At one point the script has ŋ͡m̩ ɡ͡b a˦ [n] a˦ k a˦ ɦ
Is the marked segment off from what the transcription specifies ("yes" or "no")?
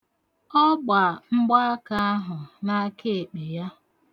yes